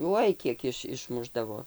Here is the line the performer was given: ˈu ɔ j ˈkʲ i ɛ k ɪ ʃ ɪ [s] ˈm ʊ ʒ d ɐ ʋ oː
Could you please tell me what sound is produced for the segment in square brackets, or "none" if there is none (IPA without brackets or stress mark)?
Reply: ʃ